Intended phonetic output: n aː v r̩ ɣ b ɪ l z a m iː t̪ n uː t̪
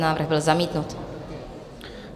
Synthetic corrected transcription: n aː v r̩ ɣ b ɪ l z a m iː t̪ n u t̪